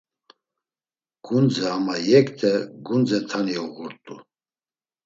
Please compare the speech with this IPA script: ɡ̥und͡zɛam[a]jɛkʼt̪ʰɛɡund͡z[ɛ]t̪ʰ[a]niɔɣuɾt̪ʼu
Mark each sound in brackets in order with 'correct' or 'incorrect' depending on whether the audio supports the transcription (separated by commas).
correct, correct, correct